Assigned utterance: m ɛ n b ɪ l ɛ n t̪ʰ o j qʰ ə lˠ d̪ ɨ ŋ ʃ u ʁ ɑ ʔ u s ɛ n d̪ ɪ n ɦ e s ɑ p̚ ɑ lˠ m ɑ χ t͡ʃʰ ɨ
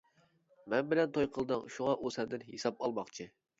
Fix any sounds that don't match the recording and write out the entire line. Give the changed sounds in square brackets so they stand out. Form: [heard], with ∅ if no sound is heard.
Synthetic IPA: m ɛ n b ɪ l ɛ n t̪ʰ o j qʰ ə lˠ d̪ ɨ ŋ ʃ u ʁ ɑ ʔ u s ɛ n d̪ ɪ n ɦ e s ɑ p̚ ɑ lˠ m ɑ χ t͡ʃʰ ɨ